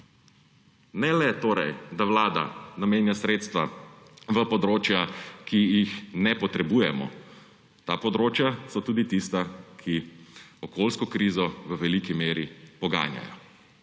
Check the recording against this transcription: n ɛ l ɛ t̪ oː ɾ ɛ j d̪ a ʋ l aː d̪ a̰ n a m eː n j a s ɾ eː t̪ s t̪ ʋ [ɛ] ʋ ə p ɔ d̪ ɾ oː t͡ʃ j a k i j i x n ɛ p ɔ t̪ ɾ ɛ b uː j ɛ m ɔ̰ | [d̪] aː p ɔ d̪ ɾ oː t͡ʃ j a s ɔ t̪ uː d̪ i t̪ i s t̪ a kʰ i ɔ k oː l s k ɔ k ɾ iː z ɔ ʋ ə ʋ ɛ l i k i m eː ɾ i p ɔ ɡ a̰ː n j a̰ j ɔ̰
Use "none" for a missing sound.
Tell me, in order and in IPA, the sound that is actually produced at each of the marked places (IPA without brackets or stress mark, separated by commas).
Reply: a, t̪